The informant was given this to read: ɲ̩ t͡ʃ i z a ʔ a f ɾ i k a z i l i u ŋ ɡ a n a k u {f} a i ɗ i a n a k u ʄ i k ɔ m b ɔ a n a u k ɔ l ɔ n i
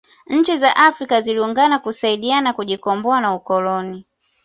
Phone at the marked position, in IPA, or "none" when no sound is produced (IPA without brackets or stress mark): s